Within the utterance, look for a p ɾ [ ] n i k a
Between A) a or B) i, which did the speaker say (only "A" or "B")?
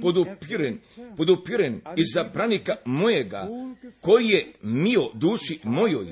A